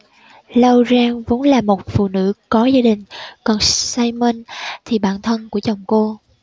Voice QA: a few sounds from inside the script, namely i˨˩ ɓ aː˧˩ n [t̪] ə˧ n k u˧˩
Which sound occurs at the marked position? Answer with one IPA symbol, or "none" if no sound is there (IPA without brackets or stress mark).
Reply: t̪ʰ